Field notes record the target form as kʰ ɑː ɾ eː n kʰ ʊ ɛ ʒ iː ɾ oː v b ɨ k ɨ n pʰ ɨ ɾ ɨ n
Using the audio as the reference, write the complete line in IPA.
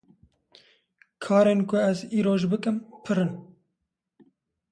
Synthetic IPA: kʰ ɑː ɾ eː n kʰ ʊ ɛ z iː ɾ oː ʒ b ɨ k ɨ m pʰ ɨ ɾ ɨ n